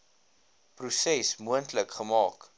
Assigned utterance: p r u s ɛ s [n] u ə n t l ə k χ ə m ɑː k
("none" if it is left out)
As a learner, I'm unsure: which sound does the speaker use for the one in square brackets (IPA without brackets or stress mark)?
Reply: m